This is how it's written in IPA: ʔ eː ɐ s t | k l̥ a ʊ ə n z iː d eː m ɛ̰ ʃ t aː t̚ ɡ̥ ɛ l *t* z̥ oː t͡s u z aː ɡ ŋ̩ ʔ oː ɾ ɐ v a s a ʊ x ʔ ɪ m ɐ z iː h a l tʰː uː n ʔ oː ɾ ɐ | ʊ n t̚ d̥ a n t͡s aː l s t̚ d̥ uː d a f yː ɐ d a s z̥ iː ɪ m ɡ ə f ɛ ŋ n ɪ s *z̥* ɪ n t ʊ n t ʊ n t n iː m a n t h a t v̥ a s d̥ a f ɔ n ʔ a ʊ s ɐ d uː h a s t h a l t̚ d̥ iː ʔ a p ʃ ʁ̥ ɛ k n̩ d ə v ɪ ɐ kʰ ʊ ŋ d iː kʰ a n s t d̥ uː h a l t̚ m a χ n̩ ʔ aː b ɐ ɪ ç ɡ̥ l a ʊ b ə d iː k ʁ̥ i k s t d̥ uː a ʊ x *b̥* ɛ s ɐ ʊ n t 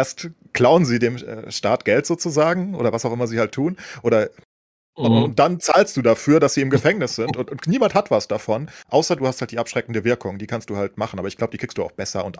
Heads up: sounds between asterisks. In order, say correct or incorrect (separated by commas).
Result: correct, correct, correct